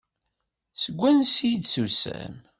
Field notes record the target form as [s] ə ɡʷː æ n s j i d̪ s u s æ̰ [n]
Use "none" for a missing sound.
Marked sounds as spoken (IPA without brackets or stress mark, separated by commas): s, m